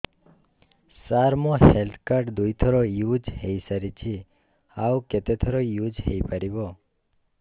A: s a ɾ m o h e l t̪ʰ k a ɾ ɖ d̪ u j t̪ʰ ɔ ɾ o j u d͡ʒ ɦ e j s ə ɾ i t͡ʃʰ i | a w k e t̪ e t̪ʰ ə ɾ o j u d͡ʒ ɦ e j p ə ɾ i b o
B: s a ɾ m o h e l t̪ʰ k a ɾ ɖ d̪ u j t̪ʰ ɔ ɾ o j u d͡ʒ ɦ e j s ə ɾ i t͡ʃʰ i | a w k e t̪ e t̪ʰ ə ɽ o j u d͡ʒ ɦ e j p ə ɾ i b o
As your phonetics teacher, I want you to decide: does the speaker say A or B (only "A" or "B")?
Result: A